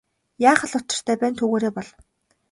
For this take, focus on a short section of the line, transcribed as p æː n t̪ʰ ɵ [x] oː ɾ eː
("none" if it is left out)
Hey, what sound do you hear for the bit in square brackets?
ɣ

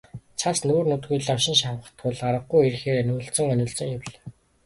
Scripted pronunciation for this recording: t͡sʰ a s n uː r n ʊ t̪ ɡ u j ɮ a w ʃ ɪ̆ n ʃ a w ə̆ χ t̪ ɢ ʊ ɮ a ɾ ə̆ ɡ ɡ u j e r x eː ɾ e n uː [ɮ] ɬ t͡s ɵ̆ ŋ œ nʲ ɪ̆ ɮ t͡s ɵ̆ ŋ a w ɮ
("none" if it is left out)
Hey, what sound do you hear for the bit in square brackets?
none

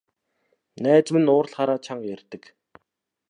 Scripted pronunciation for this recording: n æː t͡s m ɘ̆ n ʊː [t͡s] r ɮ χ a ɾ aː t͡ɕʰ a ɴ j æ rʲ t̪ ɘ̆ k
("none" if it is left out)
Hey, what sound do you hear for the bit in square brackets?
none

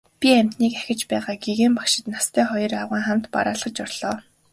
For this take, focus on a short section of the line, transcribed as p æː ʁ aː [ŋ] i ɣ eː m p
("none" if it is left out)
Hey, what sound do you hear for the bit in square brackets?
ɡ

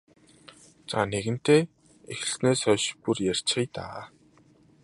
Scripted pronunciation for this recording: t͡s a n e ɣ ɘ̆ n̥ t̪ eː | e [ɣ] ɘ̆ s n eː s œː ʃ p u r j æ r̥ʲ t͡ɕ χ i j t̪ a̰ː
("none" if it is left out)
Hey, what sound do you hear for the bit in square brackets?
x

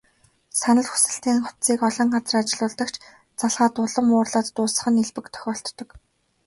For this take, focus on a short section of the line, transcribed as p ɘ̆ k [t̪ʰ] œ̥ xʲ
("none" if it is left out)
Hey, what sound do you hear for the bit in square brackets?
t̪ʰ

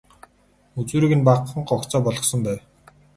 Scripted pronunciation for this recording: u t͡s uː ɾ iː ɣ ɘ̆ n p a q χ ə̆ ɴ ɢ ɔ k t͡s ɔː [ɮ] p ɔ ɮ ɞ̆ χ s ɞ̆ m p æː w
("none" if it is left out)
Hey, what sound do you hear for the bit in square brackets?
none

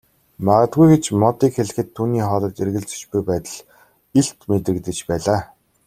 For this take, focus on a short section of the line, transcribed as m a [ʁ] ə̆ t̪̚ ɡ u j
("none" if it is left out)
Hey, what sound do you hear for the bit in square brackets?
ʁ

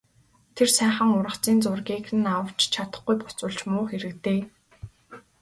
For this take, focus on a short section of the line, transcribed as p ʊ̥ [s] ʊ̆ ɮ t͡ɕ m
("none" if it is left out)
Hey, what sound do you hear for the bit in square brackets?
t͡s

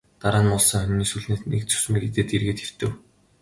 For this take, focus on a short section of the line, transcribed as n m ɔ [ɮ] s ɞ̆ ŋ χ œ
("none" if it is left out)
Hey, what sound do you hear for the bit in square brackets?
ɮ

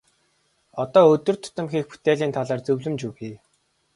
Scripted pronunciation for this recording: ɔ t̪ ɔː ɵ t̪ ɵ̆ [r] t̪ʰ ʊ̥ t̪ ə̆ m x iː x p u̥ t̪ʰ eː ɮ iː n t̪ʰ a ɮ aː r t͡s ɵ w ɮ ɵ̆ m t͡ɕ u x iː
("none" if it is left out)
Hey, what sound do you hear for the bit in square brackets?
r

